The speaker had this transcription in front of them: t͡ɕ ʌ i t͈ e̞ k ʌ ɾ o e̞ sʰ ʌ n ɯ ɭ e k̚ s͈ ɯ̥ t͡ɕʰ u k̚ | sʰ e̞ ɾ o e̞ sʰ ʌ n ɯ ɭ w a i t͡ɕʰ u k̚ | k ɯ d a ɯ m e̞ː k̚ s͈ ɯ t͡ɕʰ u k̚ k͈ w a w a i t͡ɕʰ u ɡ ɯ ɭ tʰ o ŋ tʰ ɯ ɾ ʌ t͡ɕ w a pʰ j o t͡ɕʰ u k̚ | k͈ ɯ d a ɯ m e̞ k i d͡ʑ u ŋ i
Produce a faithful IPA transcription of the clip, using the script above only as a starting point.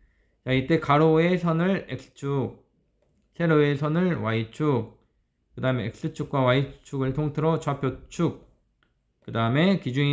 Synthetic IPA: t͡ɕ a i t͈ e̞ k a ɾ o e̞ sʰ ʌ n ɯ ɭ e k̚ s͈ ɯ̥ t͡ɕʰ u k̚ | sʰ e̞ ɾ o e̞ sʰ ʌ n ɯ ɭ w a i t͡ɕʰ u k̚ | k ɯ d a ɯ m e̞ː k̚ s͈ ɯ t͡ɕʰ u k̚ k͈ w a w a i t͡ɕʰ u ɡ ɯ ɭ tʰ o ŋ tʰ ɯ ɾ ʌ t͡ɕ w a pʰ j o t͡ɕʰ u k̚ | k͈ ɯ d a ɯ m e̞ k i d͡ʑ u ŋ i

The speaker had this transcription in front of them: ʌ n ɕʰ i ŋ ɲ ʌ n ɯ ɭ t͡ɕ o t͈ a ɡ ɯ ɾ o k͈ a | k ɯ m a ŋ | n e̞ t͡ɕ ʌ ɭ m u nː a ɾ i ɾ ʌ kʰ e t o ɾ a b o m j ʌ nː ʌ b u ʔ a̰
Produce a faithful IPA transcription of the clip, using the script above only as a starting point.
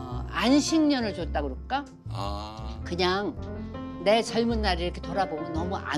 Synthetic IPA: a n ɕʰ i ŋ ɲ ʌ n ɯ ɭ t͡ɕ o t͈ a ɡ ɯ ɾ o k͈ a | k ɯ ɲ a ŋ | n e̞ t͡ɕ ʌ ɭ m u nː a ɾ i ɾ ʌ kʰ e t o ɾ a b o m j ʌ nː ʌ m u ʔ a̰

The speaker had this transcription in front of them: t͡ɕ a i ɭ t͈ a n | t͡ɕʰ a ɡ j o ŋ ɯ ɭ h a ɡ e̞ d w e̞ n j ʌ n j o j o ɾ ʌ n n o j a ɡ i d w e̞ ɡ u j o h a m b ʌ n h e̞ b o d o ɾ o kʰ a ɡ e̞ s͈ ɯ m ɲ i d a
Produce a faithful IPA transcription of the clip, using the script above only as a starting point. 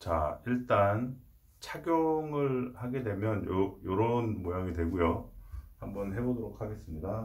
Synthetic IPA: t͡ɕ a i ɭ t͈ a n | t͡ɕʰ a ɡ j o ŋ ɯ ɭ h a ɡ e̞ d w e̞ m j ʌ n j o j o ɾ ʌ n m o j a ŋ i d w e̞ ɡ u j o h a m b ʌ n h e̞ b o d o ɾ o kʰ a ɡ e̞ s͈ ɯ m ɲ i d a

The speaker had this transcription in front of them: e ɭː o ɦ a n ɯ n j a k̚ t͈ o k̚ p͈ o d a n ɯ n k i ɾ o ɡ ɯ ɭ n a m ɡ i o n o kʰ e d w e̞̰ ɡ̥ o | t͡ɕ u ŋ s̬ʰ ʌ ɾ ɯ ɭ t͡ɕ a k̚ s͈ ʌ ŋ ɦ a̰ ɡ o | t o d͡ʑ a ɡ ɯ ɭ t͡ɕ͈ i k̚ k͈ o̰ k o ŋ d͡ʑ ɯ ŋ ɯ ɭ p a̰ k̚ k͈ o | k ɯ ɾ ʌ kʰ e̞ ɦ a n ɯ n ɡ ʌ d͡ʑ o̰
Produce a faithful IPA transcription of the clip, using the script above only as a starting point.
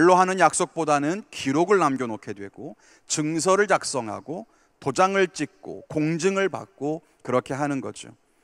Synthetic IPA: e ɭː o ɦ a n ɯ n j a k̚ s͈ o k̚ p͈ o d a n ɯ n k i ɾ o ɡ ɯ ɭ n a m ɡ j o n o kʰ e d w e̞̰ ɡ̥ o | t͡ɕ ɯ ŋ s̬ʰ ʌ ɾ ɯ ɭ t͡ɕ a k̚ s͈ ʌ ŋ ɦ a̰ ɡ o | t o d͡ʑ a ŋ ɯ ɭ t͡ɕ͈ i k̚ k͈ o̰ k o ŋ d͡ʑ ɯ ŋ ɯ ɭ p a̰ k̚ k͈ o | k ɯ ɾ ʌ kʰ e̞ ɦ a n ɯ n ɡ ʌ d͡ʑ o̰

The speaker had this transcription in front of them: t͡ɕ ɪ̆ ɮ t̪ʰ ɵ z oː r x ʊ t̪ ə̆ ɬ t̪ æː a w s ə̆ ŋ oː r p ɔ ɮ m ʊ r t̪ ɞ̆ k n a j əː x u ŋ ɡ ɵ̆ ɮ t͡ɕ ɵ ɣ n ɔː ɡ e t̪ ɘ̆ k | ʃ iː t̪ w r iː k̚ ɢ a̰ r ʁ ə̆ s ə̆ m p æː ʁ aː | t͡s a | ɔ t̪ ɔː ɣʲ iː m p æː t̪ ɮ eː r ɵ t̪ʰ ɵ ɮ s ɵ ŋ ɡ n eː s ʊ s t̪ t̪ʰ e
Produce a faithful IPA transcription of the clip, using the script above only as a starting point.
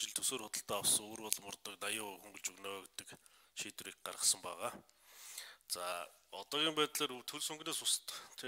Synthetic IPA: t͡ɕ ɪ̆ ɮ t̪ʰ ɵ s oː r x ʊ t̪ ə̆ ɬ t̪ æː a w s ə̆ ŋ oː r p ɔ ɮ m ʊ r t̪ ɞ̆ k n a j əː x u ŋ ɡ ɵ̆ ɮ t͡ɕ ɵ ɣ n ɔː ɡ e t̪ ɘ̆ k | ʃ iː t̪ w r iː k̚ ɢ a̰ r ʁ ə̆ s ə̆ m p æː ʁ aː | t͡s a | ɔ t̪ ɔː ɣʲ iː m p æː t̪ ɮ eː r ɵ t̪ʰ ɵ ɮ s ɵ ŋ ɡ n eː s ʊ s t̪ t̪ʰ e

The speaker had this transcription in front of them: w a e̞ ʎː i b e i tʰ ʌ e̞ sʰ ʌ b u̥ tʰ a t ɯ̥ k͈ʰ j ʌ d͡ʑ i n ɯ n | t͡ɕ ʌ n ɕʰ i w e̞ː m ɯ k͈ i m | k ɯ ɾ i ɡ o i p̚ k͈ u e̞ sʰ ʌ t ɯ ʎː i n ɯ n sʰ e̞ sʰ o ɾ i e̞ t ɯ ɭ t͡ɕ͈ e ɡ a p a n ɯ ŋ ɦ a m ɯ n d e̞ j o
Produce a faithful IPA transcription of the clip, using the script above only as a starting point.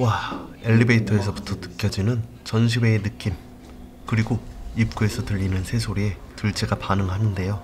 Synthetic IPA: w a e̞ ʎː i b e i tʰ ʌ e̞ sʰ ʌ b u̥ tʰ ʌ t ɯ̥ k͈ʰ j ʌ d͡ʑ i n ɯ n | t͡ɕ ʌ n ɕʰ i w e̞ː n ɯ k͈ i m | k ɯ ɾ i ɡ o i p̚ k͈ u e̞ sʰ ʌ t ɯ ʎː i n ɯ n sʰ e̞ sʰ o ɾ i e̞ t ɯ ɭ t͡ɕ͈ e ɡ a p a n ɯ ŋ ɦ a n ɯ n d e̞ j o

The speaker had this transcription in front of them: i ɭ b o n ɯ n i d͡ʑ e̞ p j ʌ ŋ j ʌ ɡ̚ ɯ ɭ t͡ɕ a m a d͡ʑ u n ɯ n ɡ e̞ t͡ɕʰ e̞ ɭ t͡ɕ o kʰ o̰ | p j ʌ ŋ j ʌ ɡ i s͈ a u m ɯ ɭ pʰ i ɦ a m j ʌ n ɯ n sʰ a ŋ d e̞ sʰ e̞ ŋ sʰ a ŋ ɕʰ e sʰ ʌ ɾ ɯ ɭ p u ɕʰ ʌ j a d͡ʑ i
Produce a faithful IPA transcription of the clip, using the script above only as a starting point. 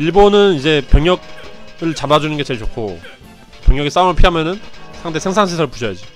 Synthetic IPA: i ɭ b o n ɯ n i d͡ʑ e̞ p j ʌ ŋ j ʌ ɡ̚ ɯ ɭ t͡ɕ a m a d͡ʑ u n ɯ n ɡ e̞ t͡ɕ e̞ ɭ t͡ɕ o kʰ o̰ | p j ʌ ŋ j ʌ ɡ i s͈ a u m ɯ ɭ pʰ i ɦ a m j ʌ n ɯ n sʰ a ŋ d e̞ sʰ e̞ ŋ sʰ a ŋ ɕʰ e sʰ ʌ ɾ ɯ ɭ p u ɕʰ ʌ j a d͡ʑ i

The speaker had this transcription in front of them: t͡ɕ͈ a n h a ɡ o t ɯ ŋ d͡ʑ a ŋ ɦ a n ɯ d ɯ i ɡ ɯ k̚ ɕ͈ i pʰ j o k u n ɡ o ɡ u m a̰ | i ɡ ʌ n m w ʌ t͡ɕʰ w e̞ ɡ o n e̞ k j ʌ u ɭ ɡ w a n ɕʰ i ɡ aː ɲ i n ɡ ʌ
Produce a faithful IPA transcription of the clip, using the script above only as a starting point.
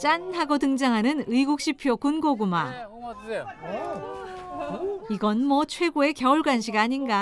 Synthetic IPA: t͡ɕ͈ a n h a ɡ o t ɯ ŋ d͡ʑ a ŋ ɦ a n ɯ n ɯ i ɡ u k̚ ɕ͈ i pʰ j o k u n ɡ o ɡ u m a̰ | i ɡ ʌ n m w ʌ t͡ɕʰ w e̞ ɡ o e̞ k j ʌ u ɭ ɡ w a n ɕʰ i ɡ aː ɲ i n ɡ a

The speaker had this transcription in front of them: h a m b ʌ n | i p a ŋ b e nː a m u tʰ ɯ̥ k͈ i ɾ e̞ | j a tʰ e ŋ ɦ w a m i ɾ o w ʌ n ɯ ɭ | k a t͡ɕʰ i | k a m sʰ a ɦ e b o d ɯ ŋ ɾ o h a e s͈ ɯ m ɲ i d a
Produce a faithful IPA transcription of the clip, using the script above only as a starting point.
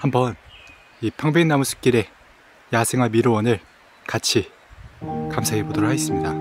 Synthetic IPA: h a m b ʌ n | i pʰ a ŋ b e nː a m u sʰ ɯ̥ k͈ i ɾ e̞ | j a sʰ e ŋ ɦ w a m i ɾ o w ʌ n ɯ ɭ | k a t͡ɕʰ i | k a m sʰ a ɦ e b o d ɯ ɾ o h a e s͈ ɯ m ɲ i d a

